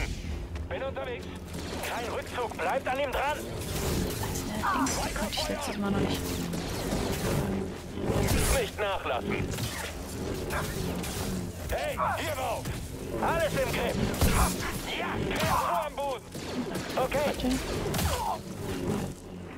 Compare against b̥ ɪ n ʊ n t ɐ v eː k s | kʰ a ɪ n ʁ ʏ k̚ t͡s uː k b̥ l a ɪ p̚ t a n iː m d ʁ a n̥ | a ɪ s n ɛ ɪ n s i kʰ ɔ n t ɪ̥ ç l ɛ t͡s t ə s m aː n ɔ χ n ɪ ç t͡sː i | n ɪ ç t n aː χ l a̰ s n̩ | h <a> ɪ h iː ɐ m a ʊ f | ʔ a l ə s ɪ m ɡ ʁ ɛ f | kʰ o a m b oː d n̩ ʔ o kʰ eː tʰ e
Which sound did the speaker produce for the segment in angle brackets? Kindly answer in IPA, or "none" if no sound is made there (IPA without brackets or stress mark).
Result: ɛ